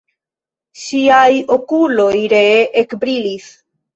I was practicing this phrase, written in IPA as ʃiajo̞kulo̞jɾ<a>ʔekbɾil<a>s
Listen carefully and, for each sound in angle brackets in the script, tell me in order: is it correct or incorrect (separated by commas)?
incorrect, incorrect